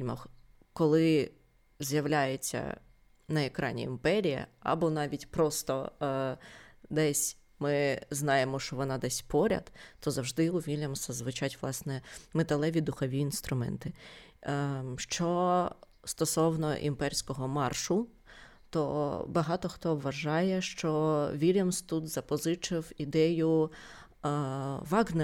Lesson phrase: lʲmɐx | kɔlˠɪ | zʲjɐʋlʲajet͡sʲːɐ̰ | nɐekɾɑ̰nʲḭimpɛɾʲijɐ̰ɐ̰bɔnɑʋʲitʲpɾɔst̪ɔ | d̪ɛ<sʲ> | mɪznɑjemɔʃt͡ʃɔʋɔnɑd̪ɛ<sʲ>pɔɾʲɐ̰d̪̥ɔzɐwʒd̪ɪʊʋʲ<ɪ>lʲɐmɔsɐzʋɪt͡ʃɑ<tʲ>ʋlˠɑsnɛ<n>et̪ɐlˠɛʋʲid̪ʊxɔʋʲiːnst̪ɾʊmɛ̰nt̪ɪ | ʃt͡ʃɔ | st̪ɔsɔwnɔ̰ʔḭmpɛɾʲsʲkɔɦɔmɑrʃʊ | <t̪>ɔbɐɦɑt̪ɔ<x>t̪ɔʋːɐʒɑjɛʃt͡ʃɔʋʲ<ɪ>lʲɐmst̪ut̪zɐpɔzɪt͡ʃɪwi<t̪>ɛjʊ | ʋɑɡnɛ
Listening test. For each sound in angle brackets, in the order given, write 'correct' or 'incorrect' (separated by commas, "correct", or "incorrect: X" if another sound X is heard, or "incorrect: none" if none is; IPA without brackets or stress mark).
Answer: correct, correct, incorrect: i, correct, incorrect: m, correct, correct, incorrect: i, incorrect: d̪